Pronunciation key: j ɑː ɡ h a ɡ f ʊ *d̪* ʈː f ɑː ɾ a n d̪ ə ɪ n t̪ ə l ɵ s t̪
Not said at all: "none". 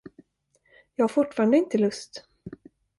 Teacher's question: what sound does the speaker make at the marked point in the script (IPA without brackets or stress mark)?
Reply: none